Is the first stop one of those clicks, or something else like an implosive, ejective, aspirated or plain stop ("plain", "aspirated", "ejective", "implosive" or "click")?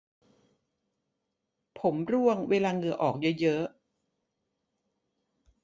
aspirated